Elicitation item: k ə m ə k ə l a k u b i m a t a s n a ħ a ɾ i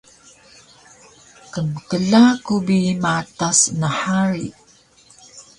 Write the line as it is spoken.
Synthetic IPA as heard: k ə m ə k ə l a k u b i m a t a s n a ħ a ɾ i